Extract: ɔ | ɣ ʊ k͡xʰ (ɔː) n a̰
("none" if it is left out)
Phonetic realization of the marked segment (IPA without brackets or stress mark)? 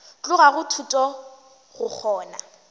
ɔː